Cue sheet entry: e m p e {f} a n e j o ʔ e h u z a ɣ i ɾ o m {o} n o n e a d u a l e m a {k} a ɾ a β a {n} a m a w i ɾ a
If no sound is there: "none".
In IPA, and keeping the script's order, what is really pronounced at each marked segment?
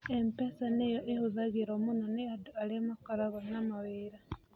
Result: s, u, k, n

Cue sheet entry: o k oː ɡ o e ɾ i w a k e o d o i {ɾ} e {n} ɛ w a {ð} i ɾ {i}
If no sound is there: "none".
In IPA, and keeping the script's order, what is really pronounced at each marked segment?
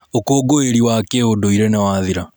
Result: ɾ, n, ð, a

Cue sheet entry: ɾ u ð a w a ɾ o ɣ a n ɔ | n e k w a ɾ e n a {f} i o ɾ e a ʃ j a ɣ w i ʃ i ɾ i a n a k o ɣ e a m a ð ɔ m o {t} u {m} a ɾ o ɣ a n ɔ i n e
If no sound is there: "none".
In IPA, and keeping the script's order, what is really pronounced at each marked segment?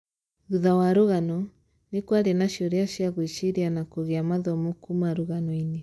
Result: ʃ, k, m

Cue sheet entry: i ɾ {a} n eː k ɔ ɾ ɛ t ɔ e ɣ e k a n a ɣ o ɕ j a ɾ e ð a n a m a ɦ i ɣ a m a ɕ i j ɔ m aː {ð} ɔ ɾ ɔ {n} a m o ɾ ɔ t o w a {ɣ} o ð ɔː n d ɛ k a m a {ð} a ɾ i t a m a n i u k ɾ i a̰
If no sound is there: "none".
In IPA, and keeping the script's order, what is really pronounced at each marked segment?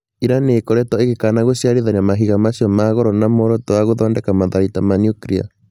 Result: a, ɣ, n, ɣ, ð

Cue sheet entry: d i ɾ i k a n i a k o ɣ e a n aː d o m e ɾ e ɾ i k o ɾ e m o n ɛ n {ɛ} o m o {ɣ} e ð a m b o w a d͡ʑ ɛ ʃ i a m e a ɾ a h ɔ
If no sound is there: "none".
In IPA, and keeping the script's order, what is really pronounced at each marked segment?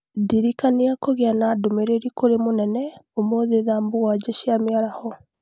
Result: ɛ, ð

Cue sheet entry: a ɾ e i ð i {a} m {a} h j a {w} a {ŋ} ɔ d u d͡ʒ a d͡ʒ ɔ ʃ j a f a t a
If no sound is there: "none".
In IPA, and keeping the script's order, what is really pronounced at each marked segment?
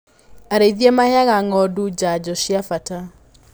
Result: e, a, ɣ, ŋ

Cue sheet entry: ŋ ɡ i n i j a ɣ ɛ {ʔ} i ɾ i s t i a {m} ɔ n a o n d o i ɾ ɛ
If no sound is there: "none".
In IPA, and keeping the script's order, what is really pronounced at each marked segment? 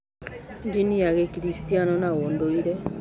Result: k, n

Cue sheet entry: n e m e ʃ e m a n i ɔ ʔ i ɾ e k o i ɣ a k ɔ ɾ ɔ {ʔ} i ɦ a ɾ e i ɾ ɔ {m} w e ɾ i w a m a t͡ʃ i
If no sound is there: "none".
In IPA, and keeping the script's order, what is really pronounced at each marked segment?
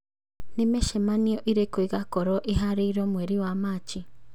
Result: ʔ, m

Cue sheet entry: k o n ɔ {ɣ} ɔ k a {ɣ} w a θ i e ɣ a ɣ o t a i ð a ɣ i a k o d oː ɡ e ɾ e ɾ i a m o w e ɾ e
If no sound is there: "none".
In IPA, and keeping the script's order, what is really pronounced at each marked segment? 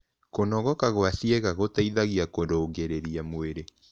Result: ɣ, ɣ

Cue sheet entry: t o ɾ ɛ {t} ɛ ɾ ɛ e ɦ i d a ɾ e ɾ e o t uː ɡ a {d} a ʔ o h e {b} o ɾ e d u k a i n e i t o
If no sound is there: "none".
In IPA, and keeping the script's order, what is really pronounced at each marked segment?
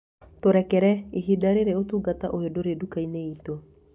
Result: k, t, d

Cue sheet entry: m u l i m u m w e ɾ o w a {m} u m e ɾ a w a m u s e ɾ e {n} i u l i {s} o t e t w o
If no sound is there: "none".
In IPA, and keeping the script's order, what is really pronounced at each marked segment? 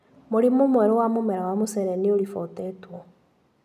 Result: m, n, f

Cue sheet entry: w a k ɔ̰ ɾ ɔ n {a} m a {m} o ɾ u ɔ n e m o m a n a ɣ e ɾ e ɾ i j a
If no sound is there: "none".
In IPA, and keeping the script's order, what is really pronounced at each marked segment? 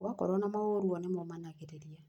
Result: a, none

